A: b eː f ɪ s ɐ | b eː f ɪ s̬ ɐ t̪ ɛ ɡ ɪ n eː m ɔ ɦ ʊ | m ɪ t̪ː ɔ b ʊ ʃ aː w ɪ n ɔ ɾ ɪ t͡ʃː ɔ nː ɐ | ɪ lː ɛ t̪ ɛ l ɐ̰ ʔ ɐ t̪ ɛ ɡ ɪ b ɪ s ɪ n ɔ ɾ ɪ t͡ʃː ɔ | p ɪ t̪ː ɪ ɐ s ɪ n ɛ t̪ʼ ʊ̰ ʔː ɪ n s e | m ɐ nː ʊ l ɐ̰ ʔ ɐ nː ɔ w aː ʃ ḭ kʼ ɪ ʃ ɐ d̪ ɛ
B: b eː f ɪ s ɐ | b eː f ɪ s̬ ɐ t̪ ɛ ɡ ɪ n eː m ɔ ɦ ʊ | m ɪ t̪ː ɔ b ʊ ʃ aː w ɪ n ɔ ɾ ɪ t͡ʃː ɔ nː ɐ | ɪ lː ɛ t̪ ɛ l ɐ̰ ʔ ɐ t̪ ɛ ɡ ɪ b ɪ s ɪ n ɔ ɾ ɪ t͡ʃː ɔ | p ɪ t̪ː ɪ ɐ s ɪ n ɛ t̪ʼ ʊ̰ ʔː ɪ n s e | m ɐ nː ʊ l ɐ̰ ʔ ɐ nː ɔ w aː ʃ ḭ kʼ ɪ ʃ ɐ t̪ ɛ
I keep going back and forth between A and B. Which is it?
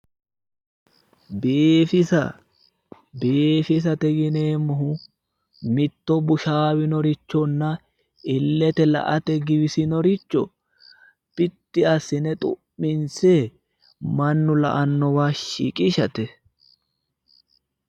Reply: B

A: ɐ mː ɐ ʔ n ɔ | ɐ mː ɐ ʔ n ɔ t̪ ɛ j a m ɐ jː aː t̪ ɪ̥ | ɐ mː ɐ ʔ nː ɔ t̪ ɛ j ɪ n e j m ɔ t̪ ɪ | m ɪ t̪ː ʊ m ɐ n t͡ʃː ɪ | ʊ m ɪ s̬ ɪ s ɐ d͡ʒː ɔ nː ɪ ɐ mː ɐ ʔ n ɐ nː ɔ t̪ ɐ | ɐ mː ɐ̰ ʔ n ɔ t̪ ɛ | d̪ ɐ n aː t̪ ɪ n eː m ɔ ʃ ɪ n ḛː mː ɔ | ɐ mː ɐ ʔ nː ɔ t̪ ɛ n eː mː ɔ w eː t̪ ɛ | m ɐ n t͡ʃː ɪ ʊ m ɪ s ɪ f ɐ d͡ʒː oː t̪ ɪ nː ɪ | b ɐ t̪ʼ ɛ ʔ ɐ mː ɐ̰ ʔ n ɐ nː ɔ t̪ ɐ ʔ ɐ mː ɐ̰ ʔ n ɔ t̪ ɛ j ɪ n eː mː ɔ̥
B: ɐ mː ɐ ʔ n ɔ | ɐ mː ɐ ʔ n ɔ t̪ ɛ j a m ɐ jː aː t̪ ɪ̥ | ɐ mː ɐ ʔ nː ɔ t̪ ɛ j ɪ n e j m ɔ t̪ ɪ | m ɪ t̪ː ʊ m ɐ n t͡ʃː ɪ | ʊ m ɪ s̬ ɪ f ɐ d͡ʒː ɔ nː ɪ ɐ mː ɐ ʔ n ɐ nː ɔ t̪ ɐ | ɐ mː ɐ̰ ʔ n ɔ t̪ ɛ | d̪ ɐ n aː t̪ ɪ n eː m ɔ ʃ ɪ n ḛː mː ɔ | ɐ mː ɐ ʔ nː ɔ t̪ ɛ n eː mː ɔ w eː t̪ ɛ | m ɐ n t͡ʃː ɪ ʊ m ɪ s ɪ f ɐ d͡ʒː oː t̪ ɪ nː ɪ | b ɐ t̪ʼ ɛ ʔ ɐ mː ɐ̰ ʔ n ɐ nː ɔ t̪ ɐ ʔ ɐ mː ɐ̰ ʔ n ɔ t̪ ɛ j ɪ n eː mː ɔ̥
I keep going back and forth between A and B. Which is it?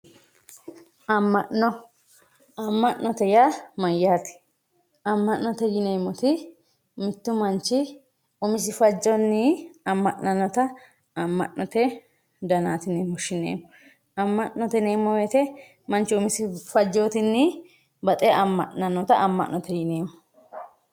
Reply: B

